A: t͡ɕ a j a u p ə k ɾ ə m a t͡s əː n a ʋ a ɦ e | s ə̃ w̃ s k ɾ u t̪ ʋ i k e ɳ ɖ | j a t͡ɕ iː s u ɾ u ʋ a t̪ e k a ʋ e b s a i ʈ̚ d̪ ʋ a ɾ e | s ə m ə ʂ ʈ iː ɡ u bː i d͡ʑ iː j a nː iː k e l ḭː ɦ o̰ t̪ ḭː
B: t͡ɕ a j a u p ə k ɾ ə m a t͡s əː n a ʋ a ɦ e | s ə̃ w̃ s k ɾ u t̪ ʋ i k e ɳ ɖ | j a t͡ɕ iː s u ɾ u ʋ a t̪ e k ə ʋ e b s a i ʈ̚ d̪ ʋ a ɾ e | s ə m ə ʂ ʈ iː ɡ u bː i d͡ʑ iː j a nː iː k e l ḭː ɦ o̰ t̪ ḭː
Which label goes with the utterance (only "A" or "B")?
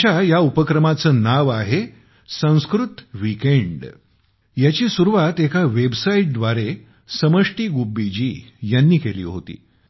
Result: A